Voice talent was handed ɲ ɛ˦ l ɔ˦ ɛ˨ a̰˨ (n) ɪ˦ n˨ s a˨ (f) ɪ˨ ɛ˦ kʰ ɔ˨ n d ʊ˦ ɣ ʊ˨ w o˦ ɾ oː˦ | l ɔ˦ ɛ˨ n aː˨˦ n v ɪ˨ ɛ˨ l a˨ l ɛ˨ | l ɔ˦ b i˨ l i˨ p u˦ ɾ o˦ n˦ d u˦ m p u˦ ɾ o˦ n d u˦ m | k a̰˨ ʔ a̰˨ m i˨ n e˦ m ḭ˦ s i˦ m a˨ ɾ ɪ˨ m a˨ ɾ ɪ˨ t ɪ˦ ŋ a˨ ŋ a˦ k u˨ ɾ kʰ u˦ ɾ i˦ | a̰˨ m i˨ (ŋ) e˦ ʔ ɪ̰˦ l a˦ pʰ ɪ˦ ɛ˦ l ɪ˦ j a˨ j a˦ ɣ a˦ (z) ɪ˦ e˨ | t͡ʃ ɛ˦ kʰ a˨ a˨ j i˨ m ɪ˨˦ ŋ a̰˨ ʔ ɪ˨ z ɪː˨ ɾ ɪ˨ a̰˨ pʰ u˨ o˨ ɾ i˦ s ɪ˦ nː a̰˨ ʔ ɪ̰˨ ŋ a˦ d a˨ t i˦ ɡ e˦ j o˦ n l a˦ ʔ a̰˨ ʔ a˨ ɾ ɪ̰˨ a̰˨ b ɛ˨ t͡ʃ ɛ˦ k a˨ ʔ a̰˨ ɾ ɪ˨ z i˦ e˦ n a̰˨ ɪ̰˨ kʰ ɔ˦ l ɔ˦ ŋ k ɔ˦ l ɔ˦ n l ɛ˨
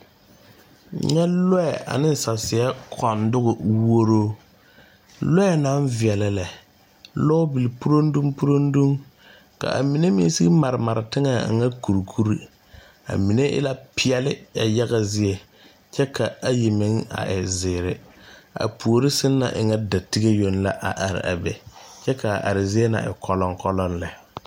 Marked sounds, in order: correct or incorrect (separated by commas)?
correct, incorrect, incorrect, correct